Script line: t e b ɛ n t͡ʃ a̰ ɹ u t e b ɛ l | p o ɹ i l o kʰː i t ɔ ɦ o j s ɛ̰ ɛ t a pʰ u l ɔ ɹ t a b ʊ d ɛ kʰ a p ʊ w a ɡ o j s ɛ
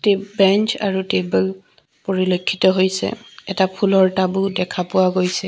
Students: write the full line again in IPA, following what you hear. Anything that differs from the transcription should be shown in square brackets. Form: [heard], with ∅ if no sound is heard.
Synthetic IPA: t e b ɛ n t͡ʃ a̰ ɹ u t e b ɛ l | p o ɹ i l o kʰː i t ɔ ɦ o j s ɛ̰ ɛ t a pʰ u l ɔ ɹ t a b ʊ d ɛ kʰ a p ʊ w a ɡ o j s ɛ